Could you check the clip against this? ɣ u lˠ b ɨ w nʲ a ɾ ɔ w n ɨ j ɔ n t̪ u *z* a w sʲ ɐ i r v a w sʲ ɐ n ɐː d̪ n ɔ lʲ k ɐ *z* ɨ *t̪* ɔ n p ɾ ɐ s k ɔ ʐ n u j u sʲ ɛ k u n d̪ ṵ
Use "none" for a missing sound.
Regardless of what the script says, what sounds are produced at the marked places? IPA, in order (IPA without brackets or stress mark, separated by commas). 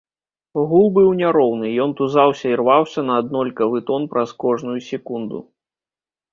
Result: z, v, t̪